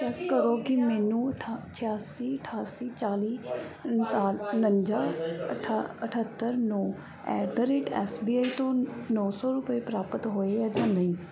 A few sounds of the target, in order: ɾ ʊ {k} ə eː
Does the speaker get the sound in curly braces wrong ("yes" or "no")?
yes